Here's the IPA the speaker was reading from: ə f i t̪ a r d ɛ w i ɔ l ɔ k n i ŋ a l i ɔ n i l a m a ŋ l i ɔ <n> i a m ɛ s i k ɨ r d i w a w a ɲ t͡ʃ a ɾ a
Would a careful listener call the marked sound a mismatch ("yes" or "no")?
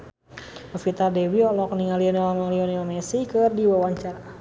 no